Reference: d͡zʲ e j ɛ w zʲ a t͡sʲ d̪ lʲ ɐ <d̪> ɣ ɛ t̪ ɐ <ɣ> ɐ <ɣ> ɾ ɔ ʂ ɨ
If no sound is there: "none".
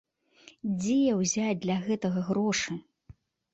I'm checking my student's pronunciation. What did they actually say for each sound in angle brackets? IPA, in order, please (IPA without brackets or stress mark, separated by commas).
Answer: none, ɣ, ɣ